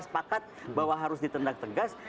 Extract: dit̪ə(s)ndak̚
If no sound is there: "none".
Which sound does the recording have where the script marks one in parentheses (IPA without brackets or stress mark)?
none